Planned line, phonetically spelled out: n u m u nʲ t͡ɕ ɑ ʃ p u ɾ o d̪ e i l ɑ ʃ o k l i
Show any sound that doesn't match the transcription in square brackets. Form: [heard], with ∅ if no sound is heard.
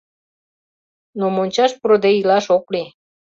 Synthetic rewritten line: n [o] m [o] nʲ t͡ɕ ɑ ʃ p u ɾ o d̪ e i l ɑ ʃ o k l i